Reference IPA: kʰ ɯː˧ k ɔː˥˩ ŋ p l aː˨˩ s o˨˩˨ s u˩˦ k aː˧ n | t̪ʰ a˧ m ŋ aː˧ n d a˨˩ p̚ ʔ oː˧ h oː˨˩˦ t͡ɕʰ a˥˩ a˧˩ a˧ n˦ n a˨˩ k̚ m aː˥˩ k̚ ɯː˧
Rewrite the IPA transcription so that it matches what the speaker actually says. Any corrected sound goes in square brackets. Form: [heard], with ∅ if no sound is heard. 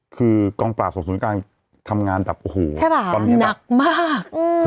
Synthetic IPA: kʰ ɯː˧ k [ɔː˧] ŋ p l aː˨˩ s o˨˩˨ s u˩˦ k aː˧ n | t̪ʰ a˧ m ŋ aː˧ n d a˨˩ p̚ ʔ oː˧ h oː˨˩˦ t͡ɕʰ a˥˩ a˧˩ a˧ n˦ n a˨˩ k̚ m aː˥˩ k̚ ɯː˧